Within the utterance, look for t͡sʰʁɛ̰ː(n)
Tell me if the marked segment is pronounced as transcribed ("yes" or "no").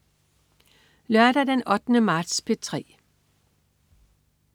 no